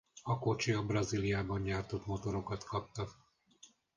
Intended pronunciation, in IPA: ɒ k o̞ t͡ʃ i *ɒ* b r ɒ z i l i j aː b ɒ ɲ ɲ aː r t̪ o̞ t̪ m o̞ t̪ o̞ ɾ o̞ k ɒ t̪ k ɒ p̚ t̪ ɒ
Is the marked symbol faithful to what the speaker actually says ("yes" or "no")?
yes